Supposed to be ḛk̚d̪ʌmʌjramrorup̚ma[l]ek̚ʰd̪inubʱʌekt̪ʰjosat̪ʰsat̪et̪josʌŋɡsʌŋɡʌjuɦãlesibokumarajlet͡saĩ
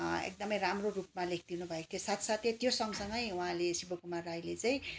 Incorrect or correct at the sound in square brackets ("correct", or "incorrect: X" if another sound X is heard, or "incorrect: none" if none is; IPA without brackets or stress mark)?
correct